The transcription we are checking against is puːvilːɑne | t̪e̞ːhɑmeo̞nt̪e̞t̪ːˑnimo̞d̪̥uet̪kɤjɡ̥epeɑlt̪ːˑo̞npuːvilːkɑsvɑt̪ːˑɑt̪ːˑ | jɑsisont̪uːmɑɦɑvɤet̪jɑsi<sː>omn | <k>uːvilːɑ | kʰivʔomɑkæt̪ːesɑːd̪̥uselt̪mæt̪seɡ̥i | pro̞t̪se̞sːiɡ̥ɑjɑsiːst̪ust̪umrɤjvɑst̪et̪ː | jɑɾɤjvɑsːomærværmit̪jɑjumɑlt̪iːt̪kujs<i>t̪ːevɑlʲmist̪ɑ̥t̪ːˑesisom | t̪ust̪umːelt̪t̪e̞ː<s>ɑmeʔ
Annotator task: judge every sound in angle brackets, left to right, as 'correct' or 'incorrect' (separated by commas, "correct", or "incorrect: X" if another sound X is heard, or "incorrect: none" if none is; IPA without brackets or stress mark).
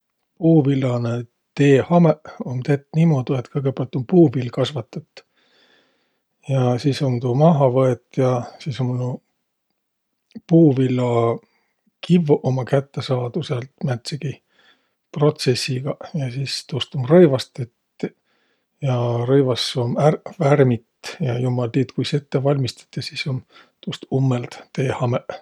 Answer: incorrect: s, incorrect: p, incorrect: e, incorrect: h